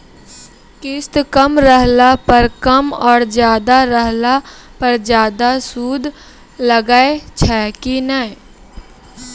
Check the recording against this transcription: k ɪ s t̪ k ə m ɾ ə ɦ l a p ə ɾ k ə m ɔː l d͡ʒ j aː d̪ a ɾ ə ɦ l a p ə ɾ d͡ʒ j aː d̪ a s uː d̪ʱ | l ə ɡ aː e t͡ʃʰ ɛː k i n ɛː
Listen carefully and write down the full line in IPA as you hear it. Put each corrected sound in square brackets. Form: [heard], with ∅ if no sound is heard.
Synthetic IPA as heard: k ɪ s t̪ k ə m ɾ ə ɦ l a p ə ɾ k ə m ɔː [ɾ] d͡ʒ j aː d̪ a ɾ ə ɦ l a p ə ɾ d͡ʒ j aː d̪ a s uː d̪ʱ | l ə ɡ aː e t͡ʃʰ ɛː k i n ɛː